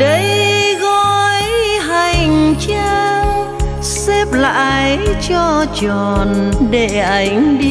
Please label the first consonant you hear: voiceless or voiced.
voiced